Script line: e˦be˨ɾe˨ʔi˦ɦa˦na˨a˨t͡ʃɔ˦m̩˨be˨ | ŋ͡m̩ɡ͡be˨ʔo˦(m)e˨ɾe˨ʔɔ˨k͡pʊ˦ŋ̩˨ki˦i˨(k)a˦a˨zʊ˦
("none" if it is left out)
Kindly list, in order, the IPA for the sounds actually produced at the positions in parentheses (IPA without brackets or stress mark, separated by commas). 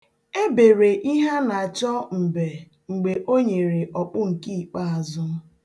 ɲ, k͡p